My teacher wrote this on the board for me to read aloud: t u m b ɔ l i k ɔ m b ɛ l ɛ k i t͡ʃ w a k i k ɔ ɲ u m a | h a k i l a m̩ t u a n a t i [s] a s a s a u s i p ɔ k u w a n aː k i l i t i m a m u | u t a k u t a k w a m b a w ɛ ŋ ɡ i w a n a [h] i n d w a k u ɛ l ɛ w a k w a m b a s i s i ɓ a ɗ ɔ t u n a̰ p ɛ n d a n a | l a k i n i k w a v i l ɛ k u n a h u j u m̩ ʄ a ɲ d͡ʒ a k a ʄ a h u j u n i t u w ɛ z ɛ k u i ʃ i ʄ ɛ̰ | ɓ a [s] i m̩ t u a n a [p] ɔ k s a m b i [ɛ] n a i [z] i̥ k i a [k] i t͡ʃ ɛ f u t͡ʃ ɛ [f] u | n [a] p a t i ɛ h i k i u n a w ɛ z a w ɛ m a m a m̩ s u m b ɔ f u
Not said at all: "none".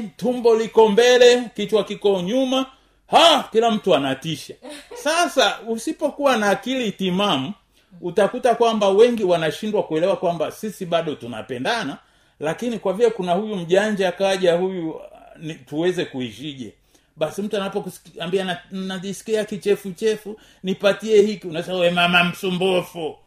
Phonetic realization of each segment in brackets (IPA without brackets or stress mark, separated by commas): ʃ, ʃ, s, p, a, s, k, f, i